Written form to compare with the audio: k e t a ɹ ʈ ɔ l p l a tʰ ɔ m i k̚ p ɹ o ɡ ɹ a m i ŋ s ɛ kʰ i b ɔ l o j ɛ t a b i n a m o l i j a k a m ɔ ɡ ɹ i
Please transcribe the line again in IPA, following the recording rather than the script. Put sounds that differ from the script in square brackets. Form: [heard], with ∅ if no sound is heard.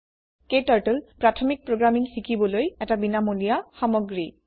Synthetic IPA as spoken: k e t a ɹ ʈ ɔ l p [ɹ] a tʰ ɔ m i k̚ p ɹ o ɡ ɹ a m i ŋ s [i] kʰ i b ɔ l o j ɛ t a b i n a m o l i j a [x] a m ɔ ɡ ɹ i

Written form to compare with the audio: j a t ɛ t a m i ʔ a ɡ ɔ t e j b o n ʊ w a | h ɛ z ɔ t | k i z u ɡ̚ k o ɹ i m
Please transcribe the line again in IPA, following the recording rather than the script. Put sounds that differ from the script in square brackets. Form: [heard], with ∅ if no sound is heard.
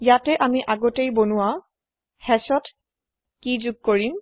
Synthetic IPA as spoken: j a t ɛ [ʔ] a m i ʔ a ɡ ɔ t e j b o n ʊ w a | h ɛ [s] ɔ t | k i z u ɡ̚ k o ɹ i m

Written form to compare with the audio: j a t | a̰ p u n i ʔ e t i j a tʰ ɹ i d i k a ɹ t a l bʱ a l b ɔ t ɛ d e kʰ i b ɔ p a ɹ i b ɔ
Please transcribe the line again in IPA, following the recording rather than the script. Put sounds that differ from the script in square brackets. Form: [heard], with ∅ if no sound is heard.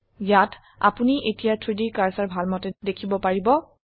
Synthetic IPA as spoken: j a t | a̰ p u n i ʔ e t i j a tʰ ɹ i d i k a ɹ [s] a [ɹ] bʱ a l [m] ɔ t ɛ d e kʰ i b ɔ p a ɹ i b ɔ

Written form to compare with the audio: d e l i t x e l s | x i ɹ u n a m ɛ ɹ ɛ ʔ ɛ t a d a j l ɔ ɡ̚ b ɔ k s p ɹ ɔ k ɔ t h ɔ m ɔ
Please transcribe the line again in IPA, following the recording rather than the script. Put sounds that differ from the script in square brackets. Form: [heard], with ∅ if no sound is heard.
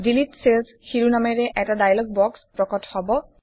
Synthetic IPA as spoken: d [i] l i t [s] e l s | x i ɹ u n a m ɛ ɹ ɛ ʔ ɛ t a d a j l ɔ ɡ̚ b ɔ k s p ɹ ɔ k ɔ t h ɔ [b] ɔ

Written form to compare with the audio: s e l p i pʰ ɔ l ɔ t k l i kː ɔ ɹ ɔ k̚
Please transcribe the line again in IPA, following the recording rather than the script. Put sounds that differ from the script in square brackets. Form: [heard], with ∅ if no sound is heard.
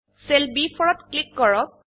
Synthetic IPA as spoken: s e l [b] i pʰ ɔ [ɹ] ɔ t k l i kː ɔ ɹ ɔ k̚

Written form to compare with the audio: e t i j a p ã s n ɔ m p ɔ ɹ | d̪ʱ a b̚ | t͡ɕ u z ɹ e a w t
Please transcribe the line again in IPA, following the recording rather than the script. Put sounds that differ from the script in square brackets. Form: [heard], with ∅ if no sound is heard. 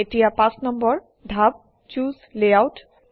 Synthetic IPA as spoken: e t i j a p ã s n ɔ m [b] ɔ ɹ | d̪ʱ a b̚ | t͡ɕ u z [l] e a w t

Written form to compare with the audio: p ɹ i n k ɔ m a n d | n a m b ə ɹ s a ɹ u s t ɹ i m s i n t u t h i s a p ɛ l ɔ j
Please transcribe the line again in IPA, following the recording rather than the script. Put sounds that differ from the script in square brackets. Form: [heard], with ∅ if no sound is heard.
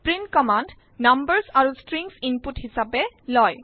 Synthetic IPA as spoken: p ɹ i n k ɔ m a n d | n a m b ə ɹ s a ɹ u s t ɹ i [ŋ] s i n [p] u t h i s a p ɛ l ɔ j

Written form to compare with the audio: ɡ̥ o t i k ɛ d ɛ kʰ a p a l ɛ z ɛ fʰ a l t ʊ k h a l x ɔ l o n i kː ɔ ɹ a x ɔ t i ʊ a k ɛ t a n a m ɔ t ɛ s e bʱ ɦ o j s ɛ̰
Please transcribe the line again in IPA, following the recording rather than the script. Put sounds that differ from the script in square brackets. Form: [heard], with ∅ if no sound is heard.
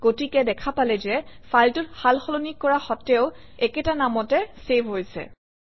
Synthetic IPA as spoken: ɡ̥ o t i k ɛ d ɛ kʰ a p a l ɛ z ɛ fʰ a l t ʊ [t] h a l x ɔ l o n i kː ɔ ɹ a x ɔ t [ɛ] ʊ [ɛ] k ɛ t a n a m ɔ t ɛ s e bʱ ɦ o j s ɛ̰

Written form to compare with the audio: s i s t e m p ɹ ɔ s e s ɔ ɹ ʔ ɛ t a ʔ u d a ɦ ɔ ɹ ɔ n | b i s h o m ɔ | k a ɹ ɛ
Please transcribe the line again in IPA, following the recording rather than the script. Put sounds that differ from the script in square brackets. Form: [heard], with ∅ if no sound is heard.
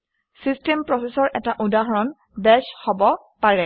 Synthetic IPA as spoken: s i s t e m p ɹ ɔ s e s ɔ ɹ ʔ ɛ t a ʔ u d a ɦ ɔ ɹ ɔ n | b [ɛ] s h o [b] ɔ | [p] a ɹ ɛ

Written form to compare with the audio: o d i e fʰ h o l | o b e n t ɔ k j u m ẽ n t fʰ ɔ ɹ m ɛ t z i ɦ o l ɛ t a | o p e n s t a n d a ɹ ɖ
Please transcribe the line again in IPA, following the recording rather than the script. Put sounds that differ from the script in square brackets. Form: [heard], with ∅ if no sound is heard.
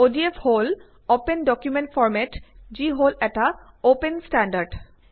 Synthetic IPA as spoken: o d i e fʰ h o l | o [p] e n [d] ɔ k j u m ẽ n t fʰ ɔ ɹ m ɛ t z i ɦ o l ɛ t a | o p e n s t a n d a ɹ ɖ

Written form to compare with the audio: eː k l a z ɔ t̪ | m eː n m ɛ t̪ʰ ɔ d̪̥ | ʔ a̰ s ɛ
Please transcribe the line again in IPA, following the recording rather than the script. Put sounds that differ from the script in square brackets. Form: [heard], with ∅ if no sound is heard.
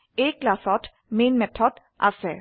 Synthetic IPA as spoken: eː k l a [s] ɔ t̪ | m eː n m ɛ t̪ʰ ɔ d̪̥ | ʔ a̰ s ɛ

